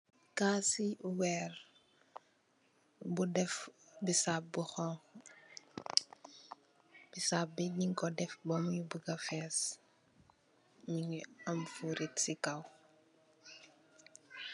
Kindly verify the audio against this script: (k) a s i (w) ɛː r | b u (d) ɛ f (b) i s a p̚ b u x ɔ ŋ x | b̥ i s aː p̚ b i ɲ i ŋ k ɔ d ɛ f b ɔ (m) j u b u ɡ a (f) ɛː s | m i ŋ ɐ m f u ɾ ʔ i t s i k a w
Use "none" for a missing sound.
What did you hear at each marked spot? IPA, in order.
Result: k, w, d, b, m, f

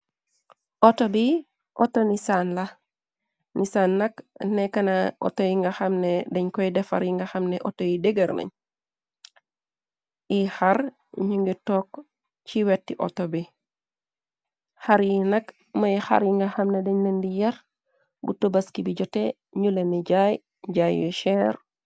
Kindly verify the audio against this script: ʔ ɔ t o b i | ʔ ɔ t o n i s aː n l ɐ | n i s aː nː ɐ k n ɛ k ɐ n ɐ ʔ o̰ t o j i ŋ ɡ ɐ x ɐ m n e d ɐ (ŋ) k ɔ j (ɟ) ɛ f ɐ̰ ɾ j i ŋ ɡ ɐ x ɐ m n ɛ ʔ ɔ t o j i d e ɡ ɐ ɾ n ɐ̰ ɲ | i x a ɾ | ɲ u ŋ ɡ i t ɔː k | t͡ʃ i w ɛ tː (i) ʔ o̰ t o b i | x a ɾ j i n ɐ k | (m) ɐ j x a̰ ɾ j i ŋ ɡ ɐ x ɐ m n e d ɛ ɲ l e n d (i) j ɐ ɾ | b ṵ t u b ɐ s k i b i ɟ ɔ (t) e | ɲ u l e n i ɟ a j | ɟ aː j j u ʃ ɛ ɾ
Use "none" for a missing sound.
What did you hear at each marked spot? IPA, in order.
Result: ɲ, d, i, m, i, t

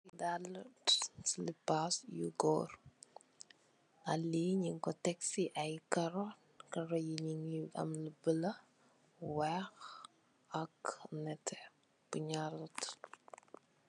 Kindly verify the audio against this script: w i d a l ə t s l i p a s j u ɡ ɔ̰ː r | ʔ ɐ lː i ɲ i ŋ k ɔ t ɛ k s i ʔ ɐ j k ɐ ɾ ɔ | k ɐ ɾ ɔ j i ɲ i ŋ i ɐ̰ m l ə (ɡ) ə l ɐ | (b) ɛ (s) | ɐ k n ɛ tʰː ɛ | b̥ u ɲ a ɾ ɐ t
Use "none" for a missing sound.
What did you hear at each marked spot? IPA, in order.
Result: b, w, x

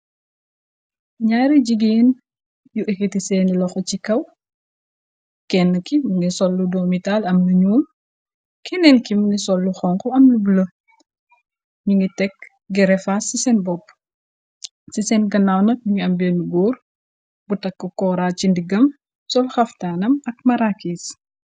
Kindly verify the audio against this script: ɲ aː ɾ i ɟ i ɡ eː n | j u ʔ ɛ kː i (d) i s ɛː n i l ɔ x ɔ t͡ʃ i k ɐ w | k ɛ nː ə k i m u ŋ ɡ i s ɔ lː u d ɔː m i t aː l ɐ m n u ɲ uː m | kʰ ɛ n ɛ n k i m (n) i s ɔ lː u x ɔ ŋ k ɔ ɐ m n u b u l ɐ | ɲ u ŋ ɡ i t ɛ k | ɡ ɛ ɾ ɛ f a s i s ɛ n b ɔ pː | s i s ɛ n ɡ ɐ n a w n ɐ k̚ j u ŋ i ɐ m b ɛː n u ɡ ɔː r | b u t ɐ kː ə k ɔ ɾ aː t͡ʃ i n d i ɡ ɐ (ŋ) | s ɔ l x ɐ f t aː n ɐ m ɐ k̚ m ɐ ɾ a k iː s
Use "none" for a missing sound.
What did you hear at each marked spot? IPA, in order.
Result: t, n, m

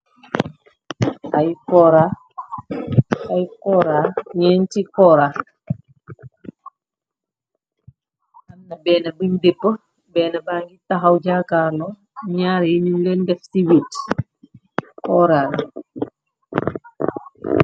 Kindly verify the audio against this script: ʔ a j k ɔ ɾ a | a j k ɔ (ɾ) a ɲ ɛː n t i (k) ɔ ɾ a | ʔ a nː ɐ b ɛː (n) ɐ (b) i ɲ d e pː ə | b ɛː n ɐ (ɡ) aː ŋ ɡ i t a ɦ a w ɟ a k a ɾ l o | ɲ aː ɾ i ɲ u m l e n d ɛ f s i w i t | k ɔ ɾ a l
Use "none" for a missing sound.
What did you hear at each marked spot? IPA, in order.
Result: ɾ, k, n, b, b

